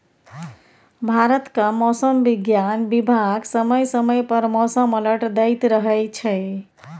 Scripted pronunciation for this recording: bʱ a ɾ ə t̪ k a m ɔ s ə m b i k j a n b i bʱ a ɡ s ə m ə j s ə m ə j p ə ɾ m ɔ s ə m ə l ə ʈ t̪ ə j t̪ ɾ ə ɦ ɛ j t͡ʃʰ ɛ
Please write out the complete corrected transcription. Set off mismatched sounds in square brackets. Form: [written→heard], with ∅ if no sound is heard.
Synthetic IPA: bʱ a ɾ ə t̪ k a m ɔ s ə m b i [k→ɡ] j a n b i bʱ a ɡ s ə m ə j s ə m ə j p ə ɾ m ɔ s ə m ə l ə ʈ [t̪→d̪] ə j t̪ ɾ ə ɦ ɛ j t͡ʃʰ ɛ